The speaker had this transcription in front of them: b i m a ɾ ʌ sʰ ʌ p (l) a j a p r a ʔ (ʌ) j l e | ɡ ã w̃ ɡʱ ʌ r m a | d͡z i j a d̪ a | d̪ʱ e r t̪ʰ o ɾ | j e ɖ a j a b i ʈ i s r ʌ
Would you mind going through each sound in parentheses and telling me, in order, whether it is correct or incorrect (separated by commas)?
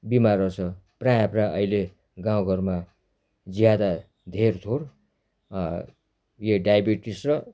incorrect, correct